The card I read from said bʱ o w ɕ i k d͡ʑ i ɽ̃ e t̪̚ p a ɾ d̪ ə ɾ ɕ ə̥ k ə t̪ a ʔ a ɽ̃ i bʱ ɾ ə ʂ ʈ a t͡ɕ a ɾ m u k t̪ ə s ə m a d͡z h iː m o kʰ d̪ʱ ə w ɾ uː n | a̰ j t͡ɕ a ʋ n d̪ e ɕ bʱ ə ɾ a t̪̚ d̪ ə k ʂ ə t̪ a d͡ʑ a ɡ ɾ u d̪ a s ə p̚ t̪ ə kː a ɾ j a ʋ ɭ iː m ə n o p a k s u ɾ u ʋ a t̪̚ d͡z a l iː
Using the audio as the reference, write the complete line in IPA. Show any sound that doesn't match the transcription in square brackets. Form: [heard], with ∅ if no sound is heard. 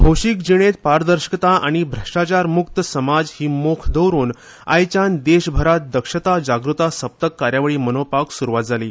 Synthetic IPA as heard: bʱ o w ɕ i k d͡ʑ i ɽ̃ e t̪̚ p a ɾ d̪ ə ɾ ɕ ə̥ k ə t̪ a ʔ a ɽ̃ i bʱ ɾ ə ʂ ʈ a t͡ɕ a ɾ m u k t̪ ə s ə m a d͡z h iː m o kʰ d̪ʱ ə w ɾ uː n | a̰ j t͡ɕ a [∅] n d̪ e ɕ bʱ ə ɾ a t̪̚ d̪ ə k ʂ ə t̪ a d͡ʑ a ɡ ɾ u [t̪] a s ə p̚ t̪ ə kː a ɾ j a ʋ ɭ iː m ə n o p a k s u ɾ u ʋ a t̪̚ d͡z a l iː